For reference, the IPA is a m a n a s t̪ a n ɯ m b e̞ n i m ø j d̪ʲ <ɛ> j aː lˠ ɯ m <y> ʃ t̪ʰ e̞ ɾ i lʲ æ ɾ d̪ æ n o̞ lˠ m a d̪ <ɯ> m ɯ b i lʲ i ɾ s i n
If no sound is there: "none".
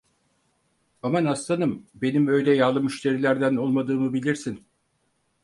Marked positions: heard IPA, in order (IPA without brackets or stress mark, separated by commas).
ɛ, y, ɯː